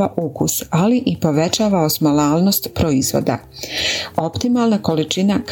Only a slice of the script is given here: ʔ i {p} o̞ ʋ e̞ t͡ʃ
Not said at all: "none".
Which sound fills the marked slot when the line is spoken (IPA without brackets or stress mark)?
p